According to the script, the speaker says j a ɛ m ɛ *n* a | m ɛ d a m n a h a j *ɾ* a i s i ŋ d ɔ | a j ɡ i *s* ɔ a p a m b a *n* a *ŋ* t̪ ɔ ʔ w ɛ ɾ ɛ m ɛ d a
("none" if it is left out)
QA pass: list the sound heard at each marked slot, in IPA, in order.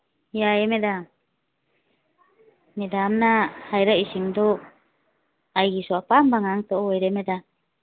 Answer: d, ɾ, s, ŋ, ŋ

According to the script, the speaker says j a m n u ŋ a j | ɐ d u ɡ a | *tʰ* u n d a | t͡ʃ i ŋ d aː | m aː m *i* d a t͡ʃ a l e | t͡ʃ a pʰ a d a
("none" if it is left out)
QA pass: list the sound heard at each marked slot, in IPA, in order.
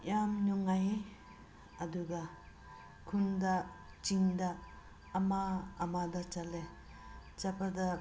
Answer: kʰ, a

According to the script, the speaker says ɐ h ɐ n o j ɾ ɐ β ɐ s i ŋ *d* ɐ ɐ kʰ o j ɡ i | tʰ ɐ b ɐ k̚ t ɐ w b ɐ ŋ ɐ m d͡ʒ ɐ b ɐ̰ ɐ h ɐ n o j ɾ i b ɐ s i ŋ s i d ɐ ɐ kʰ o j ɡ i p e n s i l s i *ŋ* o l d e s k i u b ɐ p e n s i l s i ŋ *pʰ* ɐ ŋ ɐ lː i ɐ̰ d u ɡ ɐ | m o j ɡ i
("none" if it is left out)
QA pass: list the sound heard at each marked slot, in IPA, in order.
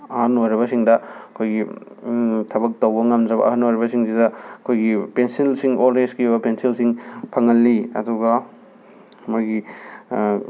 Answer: d, ŋ, pʰ

